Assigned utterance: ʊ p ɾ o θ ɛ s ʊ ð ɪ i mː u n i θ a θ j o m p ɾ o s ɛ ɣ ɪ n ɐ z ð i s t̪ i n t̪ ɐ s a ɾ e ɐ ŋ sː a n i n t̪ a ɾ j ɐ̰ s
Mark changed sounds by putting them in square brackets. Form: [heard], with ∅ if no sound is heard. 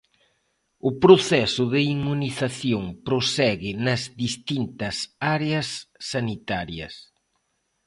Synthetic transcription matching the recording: ʊ p ɾ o θ ɛ s ʊ ð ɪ i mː u n i θ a θ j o [ŋ] p ɾ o s ɛ ɣ ɪ n ɐ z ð i s t̪ i n t̪ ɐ s a ɾ e ɐ [∅] sː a n i [∅] t̪ a ɾ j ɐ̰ s